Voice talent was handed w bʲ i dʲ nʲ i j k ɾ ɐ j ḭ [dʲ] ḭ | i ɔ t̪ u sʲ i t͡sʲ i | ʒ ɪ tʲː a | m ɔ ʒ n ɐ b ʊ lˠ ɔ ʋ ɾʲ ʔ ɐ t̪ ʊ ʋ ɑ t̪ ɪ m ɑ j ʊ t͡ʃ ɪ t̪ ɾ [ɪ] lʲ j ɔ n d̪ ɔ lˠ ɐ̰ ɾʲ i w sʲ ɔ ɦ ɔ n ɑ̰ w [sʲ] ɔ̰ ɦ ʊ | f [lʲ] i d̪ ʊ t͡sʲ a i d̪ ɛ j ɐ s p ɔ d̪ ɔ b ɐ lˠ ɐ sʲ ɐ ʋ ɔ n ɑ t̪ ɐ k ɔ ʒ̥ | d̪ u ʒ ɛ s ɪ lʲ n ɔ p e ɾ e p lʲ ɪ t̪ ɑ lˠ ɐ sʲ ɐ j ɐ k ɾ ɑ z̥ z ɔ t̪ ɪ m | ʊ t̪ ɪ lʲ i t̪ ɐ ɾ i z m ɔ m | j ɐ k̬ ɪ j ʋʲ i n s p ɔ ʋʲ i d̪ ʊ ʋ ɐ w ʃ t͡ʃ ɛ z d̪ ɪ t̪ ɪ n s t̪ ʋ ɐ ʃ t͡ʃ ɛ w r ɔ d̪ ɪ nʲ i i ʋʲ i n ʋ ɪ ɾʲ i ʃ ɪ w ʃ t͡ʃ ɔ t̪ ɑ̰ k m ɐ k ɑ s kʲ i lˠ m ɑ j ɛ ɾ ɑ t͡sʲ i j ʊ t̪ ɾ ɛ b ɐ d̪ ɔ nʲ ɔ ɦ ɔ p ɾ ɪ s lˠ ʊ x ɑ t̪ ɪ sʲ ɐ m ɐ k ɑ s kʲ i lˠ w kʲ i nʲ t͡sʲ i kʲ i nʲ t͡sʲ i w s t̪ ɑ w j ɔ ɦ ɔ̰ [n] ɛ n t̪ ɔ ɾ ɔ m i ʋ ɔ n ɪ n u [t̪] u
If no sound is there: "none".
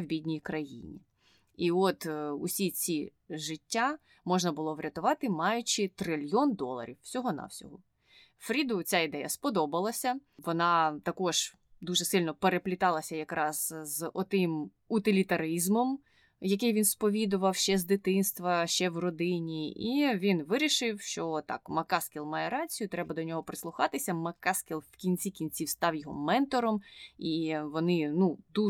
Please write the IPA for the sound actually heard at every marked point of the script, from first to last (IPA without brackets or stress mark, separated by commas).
nʲ, ɪ, sʲ, ɾʲ, m, d̪